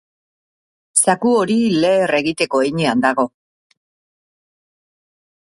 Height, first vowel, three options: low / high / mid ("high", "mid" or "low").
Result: low